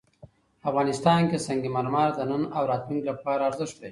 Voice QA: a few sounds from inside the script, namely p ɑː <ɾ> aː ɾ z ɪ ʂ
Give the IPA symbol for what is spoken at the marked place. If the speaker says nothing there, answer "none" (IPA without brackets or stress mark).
ɾ